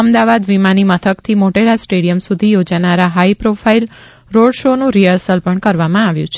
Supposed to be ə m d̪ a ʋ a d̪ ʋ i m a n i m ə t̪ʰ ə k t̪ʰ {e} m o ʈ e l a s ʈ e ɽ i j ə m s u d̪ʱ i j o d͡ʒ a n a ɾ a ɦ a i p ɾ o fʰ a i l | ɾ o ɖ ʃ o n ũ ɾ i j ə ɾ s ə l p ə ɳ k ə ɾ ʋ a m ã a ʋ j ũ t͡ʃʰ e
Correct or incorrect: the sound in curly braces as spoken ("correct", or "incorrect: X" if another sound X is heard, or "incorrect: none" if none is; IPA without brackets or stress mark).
incorrect: i